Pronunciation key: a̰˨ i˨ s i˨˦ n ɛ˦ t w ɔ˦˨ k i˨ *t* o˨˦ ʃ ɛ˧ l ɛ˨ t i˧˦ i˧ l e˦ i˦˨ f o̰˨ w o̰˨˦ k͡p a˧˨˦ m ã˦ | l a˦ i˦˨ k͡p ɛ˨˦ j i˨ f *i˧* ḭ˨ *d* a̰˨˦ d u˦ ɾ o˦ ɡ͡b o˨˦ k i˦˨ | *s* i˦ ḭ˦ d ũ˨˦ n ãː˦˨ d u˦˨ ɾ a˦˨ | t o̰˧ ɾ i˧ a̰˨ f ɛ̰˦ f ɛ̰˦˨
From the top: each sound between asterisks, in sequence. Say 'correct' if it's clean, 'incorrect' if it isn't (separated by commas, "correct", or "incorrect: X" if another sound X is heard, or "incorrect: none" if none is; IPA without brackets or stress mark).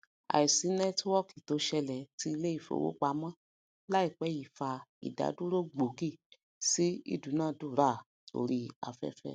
correct, incorrect: a˧, correct, correct